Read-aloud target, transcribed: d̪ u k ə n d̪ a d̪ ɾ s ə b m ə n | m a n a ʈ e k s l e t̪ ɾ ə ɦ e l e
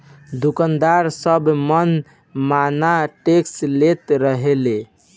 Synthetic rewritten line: d̪ u k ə n d̪ a ɾ s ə b m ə n | m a n a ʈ e k s l e t̪ ɾ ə ɦ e l e